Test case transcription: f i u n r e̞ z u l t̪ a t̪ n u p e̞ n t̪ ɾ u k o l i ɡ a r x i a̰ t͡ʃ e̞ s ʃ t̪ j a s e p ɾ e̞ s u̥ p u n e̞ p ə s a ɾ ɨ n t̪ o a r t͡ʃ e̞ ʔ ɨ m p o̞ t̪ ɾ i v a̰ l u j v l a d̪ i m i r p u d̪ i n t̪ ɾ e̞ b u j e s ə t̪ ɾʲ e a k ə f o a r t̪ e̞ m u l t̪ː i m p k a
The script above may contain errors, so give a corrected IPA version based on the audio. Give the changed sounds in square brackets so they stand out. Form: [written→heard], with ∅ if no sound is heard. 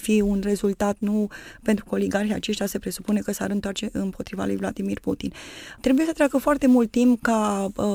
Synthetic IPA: f i u n r e̞ z u l t̪ a t̪ n u p e̞ n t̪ ɾ u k o l i ɡ a r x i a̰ t͡ʃ e̞ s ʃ t̪ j a s e p ɾ e̞ s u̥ p u n e̞ [p→k] ə s a ɾ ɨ n t̪ o a r t͡ʃ e̞ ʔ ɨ m p o̞ t̪ ɾ i v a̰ l u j v l a d̪ i m i r p u [d̪→t̪] i n t̪ ɾ e̞ b u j e s ə t̪ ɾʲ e a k ə f o a r t̪ e̞ m u l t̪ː i m p k a